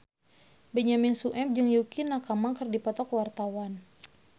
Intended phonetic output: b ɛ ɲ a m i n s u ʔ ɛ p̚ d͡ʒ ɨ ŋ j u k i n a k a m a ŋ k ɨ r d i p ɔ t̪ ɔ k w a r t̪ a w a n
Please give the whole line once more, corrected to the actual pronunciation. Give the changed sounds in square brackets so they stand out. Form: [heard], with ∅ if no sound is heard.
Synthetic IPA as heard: b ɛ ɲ a m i n s u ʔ ɛ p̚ d͡ʒ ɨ ŋ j u k i n a k a m a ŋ k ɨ r d i p ɔ t̪ ɔ k w a r t̪ a w a n